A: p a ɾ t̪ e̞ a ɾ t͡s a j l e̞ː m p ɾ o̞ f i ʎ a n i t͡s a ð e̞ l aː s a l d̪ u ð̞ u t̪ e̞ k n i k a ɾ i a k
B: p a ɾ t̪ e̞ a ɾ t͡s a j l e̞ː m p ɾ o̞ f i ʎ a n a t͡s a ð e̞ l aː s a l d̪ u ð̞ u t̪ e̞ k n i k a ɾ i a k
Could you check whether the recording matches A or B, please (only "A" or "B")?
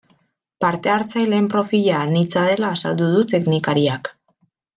A